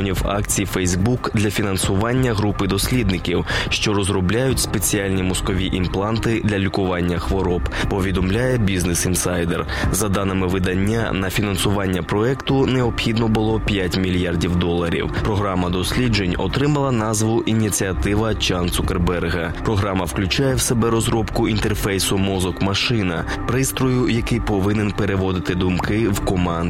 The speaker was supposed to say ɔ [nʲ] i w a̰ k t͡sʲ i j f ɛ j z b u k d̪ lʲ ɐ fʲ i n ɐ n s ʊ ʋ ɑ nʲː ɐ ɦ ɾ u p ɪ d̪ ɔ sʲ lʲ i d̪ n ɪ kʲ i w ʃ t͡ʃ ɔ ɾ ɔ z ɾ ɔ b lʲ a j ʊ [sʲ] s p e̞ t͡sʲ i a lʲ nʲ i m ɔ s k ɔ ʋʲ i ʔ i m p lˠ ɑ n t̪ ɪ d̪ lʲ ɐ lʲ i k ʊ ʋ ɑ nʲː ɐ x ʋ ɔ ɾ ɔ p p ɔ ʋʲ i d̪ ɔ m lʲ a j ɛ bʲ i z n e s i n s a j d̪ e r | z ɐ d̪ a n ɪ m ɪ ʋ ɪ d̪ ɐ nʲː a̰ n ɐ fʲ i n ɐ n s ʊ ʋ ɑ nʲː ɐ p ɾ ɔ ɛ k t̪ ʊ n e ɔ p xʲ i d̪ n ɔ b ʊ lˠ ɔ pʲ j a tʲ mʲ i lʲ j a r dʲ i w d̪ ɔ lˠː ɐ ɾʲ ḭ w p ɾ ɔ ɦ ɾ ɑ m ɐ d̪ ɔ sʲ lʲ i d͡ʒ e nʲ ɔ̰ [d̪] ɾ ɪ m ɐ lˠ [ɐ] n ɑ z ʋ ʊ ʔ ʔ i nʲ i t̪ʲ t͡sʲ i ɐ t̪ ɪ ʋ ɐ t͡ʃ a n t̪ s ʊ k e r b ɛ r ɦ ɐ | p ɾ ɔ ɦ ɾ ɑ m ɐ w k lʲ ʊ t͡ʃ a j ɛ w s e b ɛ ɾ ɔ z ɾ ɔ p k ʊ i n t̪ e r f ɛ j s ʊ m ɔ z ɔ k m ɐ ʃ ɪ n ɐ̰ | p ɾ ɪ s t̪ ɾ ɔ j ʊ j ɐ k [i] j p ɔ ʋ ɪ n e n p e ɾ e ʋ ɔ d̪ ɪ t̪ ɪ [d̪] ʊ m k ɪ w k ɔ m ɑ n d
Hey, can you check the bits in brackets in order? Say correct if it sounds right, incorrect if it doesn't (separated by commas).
correct, incorrect, incorrect, correct, incorrect, correct